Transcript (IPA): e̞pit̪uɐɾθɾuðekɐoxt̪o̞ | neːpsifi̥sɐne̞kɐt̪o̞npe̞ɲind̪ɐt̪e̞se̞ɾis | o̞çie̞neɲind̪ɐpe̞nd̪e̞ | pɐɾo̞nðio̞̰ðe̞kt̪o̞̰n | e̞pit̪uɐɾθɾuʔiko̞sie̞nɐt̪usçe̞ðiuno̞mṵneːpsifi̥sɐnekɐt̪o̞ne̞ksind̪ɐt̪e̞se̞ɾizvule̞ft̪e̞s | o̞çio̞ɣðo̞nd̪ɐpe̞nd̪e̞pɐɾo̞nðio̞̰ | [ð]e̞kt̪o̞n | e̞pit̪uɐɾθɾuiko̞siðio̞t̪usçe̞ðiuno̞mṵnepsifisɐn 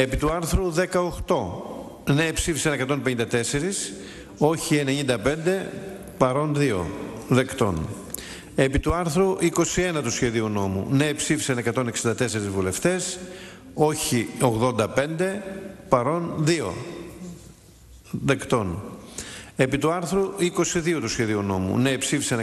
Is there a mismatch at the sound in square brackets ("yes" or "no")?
no